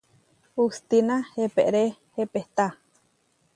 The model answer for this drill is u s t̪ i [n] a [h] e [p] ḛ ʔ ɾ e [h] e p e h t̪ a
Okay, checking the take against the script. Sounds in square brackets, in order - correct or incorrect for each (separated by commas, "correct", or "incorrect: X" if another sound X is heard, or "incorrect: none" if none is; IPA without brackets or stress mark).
correct, correct, correct, correct